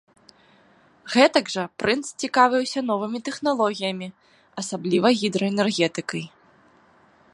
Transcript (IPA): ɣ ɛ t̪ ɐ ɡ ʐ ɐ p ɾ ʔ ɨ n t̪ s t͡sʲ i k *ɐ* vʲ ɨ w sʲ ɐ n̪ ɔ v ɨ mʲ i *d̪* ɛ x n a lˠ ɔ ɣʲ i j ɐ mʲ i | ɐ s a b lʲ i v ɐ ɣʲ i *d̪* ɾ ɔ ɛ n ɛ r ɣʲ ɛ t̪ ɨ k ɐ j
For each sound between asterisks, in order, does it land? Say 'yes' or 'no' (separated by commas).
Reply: no, no, yes